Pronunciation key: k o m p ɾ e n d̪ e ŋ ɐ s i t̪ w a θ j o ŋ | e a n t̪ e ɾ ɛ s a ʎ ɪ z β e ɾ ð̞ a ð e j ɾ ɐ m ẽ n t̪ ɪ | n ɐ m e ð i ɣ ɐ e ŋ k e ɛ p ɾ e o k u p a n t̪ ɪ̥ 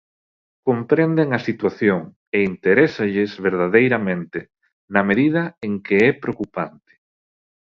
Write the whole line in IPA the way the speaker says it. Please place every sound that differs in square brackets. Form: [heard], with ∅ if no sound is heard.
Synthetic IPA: k o m p ɾ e n d̪ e ŋ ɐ s i t̪ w a θ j o ŋ | e [i] n t̪ e ɾ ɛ s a ʎ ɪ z β e ɾ ð̞ a ð e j ɾ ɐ m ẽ n t̪ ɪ | n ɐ m e ð i [ð] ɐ e ŋ k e ɛ p ɾ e o k u p a n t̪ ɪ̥

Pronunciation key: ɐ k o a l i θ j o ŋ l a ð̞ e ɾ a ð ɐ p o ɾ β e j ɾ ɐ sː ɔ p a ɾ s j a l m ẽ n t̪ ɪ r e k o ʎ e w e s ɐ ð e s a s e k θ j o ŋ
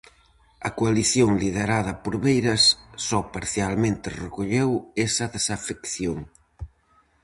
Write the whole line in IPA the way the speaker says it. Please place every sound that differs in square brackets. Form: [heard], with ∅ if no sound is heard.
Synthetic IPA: ɐ k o a l i θ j o ŋ l [i] ð̞ e ɾ a ð ɐ p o ɾ β e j ɾ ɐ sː ɔ p a ɾ [θ] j a l m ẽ n t̪ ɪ r e k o ʎ e w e s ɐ ð e s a [f] e k θ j o ŋ

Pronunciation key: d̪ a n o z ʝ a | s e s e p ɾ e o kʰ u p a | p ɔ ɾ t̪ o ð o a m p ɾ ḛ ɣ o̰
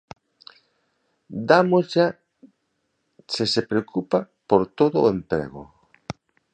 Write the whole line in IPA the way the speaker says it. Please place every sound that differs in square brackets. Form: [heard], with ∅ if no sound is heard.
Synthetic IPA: d̪ a [m] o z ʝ a | s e s e p ɾ e o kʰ u p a | p [o] ɾ t̪ o ð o [e] m p ɾ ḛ ɣ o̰

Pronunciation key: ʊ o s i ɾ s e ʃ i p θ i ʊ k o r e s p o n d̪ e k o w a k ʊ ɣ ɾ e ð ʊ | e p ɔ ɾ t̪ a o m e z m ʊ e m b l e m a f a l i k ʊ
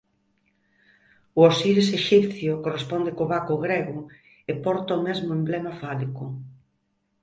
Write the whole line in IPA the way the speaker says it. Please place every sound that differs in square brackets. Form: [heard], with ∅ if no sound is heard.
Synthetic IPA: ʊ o s i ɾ s e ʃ i p θ [j] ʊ k o r e s p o n d̪ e k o [β] a k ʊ ɣ ɾ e [ɣ] ʊ | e p ɔ ɾ t̪ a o m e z m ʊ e m b l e m a f a l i k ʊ

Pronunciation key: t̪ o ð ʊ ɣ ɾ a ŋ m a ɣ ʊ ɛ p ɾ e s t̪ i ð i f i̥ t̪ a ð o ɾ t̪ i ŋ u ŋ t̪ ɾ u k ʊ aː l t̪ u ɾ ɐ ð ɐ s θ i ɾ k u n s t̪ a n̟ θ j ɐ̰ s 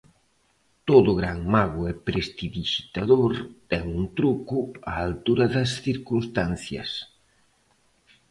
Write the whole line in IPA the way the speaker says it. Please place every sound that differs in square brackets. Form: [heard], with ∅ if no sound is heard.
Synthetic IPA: t̪ o ð ʊ ɣ ɾ a ŋ m a ɣ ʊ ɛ p ɾ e s t̪ i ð i [ʃ] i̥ t̪ a ð o ɾ t̪ [ɛ] ŋ u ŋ t̪ ɾ u k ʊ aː l t̪ u ɾ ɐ ð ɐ s θ i ɾ k u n s t̪ a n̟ θ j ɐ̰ s

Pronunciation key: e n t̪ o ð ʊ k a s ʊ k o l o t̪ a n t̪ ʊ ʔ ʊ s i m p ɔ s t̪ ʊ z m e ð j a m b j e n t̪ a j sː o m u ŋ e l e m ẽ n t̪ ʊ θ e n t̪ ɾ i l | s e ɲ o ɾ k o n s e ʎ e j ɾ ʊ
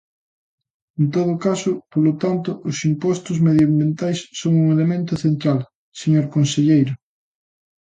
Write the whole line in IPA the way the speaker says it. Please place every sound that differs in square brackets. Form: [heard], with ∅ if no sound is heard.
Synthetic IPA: e n t̪ o ð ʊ k a s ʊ [p] o l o t̪ a n t̪ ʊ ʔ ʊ s i m p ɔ s t̪ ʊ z m e ð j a m b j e n t̪ a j sː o [ŋ] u ŋ e l e m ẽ n t̪ ʊ θ e n t̪ ɾ [a] l | s e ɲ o ɾ k o n s e ʎ e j ɾ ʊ

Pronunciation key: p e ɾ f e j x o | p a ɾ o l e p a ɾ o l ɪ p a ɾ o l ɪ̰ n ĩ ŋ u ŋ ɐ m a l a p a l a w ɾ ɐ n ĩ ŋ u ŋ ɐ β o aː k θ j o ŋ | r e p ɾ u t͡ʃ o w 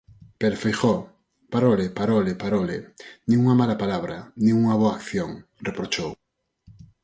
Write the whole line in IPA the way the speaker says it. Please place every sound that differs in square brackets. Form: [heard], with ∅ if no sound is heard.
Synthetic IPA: p e ɾ f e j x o | p a ɾ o l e p a ɾ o l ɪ p a ɾ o l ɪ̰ n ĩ ŋ u ŋ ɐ m a l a p a l a [β] ɾ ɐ n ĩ ŋ u ŋ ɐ β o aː k θ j o ŋ | r e p ɾ [o] t͡ʃ o w

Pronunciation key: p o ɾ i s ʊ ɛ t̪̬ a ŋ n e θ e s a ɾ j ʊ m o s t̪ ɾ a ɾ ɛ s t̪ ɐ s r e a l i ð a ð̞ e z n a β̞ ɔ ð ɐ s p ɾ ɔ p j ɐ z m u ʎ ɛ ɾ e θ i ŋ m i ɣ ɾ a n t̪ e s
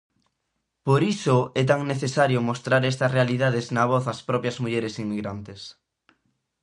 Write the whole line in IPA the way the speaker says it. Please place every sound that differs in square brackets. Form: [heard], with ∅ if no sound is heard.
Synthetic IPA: p o ɾ i s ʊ ɛ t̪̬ a ŋ n e θ e s a ɾ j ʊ m o s t̪ ɾ a ɾ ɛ s t̪ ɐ s r e a l i ð a ð̞ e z n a β̞ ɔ [θ] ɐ s p ɾ ɔ p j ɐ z m u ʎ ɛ ɾ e [s] i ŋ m i ɣ ɾ a n t̪ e s

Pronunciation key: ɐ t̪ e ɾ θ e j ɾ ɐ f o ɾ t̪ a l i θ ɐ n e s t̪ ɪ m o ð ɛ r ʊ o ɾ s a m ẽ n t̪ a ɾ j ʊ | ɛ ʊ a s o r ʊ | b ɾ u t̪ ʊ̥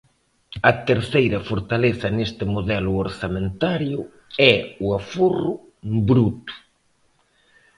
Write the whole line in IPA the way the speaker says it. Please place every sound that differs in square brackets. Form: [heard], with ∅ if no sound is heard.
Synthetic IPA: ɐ t̪ e ɾ θ e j ɾ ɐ f o ɾ t̪ a l [e] θ ɐ n e s t̪ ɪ m o ð ɛ [l] ʊ o ɾ s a m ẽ n t̪ a ɾ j ʊ | ɛ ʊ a [f] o r ʊ | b ɾ u t̪ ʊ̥

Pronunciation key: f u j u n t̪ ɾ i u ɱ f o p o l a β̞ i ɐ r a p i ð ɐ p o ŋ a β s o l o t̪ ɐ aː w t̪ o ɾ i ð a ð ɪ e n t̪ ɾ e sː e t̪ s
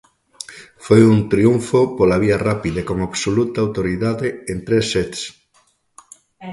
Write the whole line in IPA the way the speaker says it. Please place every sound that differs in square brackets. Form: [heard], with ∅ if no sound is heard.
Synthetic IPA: f [o] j u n t̪ ɾ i u ɱ f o p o l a β̞ i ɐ r a p i ð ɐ [k] o ŋ a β s o l [u] t̪ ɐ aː w t̪ o ɾ i ð a ð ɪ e n t̪ ɾ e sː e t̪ s

